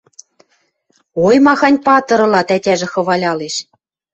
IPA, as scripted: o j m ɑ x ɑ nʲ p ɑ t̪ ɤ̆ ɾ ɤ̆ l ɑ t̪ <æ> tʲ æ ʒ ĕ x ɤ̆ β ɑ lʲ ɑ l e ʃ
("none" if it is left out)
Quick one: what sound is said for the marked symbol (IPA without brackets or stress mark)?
æ